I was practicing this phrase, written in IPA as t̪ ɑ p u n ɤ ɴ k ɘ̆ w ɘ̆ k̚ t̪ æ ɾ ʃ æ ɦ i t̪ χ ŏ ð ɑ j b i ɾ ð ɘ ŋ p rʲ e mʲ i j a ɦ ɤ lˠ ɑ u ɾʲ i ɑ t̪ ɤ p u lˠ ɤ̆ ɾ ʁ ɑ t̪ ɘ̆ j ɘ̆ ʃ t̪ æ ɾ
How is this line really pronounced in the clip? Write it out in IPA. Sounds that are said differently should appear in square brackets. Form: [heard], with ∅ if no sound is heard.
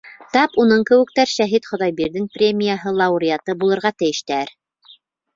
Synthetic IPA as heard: t̪ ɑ p u n ɤ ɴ k ɘ̆ w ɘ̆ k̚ t̪ æ ɾ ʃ æ ɦ i t̪ χ ŏ ð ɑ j b i ɾ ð ɘ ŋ p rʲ e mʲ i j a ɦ ɤ lˠ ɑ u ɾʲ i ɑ t̪ ɤ [b] u lˠ ɤ̆ ɾ ʁ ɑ t̪ ɘ̆ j ɘ̆ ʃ t̪ æ ɾ